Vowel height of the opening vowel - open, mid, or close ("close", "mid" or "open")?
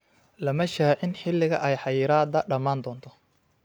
open